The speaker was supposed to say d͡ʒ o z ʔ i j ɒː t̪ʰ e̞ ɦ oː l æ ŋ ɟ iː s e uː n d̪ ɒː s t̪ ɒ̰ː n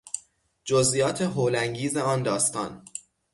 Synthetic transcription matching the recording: d͡ʒ o z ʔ i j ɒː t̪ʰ e̞ ɦ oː l æ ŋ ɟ iː z e ɒː n d̪ ɒː s t̪ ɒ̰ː n

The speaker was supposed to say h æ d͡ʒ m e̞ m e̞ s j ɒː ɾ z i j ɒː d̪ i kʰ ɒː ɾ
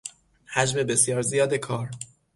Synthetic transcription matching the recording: h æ d͡ʒ m e̞ b e̞ s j ɒː ɾ z i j ɒː d̪ e kʰ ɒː ɾ

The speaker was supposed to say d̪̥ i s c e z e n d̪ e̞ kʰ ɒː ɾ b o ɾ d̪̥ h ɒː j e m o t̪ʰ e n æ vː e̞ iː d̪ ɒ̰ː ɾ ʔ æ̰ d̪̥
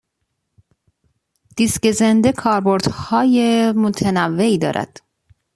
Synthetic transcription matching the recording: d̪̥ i s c e z e n d̪ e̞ kʰ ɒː ɾ b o ɾ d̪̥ h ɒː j e m o t̪ʰ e n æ vː e̞ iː d̪ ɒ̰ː ɾ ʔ æ̰ d̪̥

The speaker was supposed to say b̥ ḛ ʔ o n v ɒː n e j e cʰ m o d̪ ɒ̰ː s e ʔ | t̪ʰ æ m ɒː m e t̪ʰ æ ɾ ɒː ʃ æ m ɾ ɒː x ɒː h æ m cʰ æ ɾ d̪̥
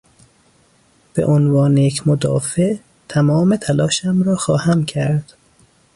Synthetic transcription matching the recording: b̥ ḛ ʔ o n v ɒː n e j e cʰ m o d̪ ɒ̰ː f e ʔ | t̪ʰ æ m ɒː m e t̪ʰ æ l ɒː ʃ æ m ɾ ɒː x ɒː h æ m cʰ æ ɾ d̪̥

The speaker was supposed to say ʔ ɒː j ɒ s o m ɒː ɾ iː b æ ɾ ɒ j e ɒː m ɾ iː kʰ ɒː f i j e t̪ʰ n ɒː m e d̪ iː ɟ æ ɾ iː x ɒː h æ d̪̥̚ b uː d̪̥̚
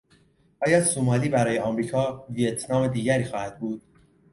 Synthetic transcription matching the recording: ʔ ɒː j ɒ s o m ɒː l iː b æ ɾ ɒː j e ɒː m ɾ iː kʰ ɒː v i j e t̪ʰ n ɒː m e d̪ iː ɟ æ ɾ iː x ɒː h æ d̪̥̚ b uː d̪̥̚

